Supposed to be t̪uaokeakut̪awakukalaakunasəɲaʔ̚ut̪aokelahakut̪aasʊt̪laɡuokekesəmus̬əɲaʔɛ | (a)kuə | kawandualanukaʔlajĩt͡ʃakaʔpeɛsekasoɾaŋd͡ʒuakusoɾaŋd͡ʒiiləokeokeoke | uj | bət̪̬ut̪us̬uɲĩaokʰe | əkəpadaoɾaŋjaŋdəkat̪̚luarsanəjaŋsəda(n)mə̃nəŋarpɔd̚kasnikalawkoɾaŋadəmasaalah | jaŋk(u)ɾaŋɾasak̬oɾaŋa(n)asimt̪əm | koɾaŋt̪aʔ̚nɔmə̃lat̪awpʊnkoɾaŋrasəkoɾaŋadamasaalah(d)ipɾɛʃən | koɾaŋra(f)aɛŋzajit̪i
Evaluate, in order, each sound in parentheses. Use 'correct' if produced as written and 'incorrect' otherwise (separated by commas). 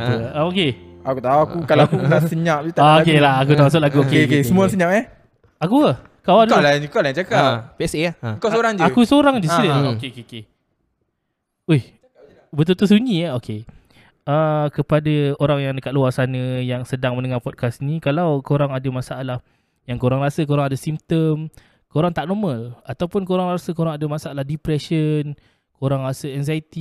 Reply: correct, incorrect, incorrect, incorrect, correct, incorrect